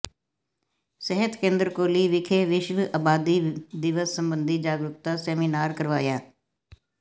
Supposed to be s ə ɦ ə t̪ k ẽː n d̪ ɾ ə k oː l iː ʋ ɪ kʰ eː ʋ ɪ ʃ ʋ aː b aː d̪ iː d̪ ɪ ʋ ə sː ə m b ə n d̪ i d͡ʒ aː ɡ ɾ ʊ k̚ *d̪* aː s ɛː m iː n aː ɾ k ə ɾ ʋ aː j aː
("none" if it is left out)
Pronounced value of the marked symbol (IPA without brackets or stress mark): t̪